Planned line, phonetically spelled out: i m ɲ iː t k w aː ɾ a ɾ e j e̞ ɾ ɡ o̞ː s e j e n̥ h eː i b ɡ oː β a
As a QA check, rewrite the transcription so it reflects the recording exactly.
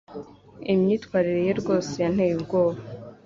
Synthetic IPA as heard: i m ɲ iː t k w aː ɾ i ɾ e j e̞ ɾ ɡ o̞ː s e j a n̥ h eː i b ɡ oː β a

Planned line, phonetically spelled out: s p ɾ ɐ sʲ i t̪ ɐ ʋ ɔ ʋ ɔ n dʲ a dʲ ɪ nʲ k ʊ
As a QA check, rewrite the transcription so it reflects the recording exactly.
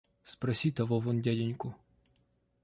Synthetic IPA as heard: s p ɾ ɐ sʲ i t̪ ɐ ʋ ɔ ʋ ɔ n dʲ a dʲ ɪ nʲ k ʊ

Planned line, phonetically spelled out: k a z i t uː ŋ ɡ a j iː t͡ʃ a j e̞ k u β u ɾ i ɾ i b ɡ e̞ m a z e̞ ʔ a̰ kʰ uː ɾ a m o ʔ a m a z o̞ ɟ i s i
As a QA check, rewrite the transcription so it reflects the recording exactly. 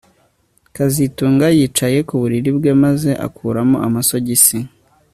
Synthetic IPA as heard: k a z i t uː ŋ ɡ a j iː t͡ʃ a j e̞ k u β u ɾ i ɾ i b ɡ e̞ m a z e̞ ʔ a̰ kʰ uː ɾ a m o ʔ a m a s o̞ ɟ i s i

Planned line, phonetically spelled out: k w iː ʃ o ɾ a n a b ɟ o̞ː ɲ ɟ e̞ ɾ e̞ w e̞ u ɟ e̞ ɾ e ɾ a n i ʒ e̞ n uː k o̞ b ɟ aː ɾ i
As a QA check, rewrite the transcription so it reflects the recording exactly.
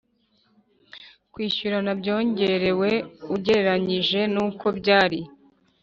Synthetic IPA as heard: k w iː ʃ u ɾ a n a b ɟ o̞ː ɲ ɟ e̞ ɾ e̞ w e̞ u ɟ e̞ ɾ e ɾ a ɲ i ʒ e̞ n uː k o̞ b ɟ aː ɾ i

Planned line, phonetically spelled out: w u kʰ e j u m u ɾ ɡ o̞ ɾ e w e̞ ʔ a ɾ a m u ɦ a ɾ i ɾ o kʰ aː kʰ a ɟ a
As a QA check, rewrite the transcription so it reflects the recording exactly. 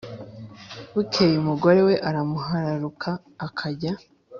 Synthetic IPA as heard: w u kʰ e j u m u ɡ o̞ ɾ e w e̞ ʔ a ɾ a m u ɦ a ɾ a ɾ u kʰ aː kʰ a ɟ a

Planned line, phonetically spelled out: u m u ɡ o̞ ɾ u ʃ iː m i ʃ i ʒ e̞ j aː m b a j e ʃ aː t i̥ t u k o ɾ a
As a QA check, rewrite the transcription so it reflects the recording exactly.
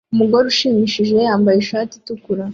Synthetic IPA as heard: u m u ɡ o̞ ɾ u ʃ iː m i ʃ i ʒ e̞ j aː m b a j e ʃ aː t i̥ t u k u ɾ a

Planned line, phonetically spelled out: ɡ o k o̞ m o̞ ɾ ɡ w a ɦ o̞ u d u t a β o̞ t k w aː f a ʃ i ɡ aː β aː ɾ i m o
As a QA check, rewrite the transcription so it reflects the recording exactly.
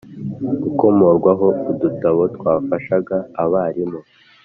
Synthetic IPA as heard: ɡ u k o̞ m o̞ ɾ ɡ w a ɦ o̞ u d u t a β o̞ t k w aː f a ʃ a ɡ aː β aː ɾ i m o

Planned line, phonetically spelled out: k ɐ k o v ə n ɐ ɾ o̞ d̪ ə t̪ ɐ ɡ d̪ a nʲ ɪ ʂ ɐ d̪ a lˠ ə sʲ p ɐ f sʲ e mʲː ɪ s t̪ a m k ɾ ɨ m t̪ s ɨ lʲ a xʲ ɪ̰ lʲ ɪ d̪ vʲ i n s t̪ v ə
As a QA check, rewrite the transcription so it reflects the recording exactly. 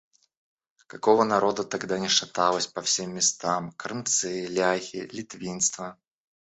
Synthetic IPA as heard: k ɐ k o v ə n ɐ ɾ o̞ d̪ ə t̪ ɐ ɡ d̪ a nʲ ɪ ʂ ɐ t̪ a lˠ ə sʲ p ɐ f sʲ e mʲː ɪ s t̪ a m k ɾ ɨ m t̪ s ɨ lʲ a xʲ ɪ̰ lʲ ɪ t̪ vʲ i n s t̪ v ə

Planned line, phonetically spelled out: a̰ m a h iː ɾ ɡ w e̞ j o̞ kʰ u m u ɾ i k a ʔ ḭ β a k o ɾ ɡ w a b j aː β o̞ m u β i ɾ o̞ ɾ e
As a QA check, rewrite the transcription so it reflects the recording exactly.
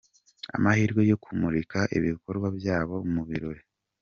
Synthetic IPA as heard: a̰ m a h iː ɾ ɡ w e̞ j o̞ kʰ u m u ɾ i k a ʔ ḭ β i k o ɾ ɡ w a b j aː β o̞ m u β i ɾ o̞ ɾ e

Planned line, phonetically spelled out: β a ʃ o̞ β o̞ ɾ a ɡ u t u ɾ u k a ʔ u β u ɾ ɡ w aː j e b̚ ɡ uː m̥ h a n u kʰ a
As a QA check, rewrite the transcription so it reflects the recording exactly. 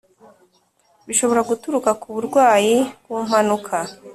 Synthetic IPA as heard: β i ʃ o̞ β o̞ ɾ a ɡ u t u ɾ u k a k u β u ɾ ɡ w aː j i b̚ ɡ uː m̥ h a n u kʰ a

